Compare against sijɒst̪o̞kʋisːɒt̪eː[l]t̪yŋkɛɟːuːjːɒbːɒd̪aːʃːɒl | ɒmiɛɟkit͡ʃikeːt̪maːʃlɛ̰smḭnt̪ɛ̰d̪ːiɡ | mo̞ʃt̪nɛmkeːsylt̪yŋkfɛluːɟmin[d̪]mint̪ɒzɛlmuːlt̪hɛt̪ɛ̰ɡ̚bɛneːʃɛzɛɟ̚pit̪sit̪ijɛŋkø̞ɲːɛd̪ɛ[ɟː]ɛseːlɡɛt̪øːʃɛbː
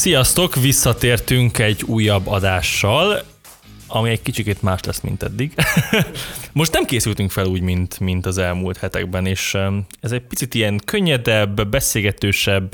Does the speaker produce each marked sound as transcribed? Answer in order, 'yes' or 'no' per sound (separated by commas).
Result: no, no, no